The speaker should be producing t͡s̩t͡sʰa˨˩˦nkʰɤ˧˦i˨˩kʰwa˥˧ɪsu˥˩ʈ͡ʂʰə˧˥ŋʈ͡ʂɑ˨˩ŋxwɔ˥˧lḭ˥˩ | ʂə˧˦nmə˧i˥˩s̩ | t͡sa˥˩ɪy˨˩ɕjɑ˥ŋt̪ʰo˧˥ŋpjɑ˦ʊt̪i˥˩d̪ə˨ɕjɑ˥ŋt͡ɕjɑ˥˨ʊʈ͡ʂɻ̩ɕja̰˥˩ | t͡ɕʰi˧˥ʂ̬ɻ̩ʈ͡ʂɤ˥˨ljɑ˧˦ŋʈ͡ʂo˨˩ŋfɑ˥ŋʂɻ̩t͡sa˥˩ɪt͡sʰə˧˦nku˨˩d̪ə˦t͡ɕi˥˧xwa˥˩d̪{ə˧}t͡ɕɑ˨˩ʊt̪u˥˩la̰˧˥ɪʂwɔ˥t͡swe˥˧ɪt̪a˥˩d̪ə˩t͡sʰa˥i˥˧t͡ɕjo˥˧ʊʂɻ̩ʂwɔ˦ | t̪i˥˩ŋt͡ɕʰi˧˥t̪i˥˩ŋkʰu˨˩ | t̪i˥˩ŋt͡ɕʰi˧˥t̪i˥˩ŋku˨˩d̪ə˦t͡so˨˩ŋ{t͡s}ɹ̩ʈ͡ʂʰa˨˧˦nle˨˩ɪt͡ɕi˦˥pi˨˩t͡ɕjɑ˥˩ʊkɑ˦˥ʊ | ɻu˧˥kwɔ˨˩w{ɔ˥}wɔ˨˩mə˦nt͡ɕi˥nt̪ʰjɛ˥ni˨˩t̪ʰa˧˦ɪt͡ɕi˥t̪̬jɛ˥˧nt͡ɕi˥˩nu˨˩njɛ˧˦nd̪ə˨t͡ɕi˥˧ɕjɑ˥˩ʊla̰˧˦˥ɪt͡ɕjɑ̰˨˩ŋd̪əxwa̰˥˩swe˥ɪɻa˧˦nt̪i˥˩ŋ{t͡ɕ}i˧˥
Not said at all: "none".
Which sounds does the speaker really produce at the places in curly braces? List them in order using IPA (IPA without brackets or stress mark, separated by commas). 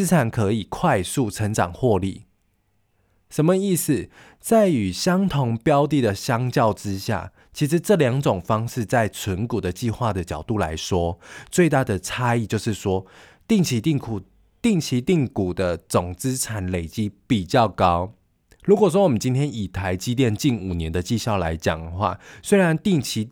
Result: ə˩, t͡s, ɔ˥, t͡ɕʰ